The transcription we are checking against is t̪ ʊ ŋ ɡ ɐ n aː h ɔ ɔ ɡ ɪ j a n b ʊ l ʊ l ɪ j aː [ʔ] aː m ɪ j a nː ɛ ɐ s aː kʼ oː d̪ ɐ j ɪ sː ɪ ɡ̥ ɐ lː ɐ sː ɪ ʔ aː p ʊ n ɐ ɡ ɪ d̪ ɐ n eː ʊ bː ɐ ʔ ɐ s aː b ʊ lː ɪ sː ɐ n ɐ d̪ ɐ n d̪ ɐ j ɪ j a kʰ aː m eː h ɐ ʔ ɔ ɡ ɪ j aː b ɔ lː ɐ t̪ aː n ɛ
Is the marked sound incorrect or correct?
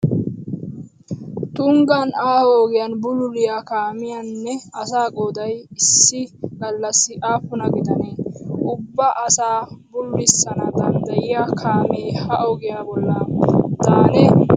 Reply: incorrect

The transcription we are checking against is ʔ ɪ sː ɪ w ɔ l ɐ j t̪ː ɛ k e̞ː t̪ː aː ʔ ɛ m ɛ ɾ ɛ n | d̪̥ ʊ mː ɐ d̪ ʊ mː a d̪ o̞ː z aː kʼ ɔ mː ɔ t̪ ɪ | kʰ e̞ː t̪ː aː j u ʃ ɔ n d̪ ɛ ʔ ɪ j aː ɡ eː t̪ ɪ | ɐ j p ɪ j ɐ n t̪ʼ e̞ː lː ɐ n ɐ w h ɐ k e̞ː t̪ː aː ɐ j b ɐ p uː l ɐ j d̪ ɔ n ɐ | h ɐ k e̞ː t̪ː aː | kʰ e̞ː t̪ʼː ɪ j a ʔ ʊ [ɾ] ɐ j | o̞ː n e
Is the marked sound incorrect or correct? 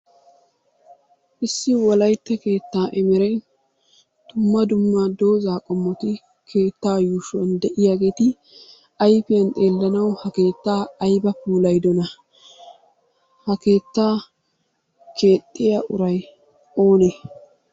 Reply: correct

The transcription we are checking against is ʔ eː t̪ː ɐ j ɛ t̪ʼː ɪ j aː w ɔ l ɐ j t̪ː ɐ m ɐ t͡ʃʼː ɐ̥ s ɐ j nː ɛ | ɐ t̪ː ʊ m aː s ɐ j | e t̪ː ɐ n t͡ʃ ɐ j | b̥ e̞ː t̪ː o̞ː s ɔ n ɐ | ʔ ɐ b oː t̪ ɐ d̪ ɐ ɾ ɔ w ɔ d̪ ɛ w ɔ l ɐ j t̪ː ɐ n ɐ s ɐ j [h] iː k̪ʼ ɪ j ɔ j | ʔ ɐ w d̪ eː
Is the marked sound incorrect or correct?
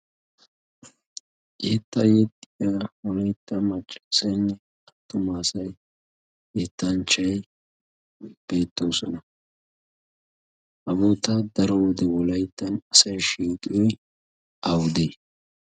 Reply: incorrect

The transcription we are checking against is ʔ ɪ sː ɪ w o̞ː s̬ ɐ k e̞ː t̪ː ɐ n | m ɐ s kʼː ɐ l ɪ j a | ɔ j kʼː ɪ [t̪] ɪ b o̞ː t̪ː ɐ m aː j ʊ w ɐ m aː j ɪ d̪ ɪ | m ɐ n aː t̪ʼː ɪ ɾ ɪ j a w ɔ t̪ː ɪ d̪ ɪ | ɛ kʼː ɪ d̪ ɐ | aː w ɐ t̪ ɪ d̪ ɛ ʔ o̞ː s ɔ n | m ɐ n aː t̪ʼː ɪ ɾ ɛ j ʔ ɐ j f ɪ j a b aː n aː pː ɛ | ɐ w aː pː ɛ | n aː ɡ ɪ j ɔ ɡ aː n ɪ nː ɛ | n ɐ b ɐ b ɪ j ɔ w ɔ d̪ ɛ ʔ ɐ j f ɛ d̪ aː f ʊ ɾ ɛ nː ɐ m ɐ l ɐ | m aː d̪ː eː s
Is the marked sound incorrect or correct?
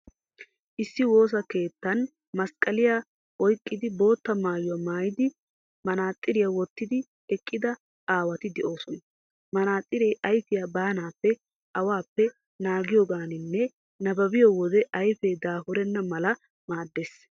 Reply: incorrect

